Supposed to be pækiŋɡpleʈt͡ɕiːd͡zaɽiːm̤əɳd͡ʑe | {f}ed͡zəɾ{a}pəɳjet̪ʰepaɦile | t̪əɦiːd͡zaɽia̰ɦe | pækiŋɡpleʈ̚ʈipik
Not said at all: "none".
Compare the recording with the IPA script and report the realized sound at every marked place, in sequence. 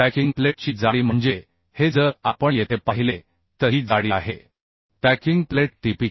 h, a

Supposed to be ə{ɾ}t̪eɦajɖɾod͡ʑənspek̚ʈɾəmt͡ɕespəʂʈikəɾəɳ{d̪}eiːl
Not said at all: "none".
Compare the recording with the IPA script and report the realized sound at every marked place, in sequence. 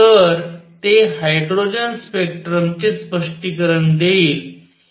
ɾ, d̪

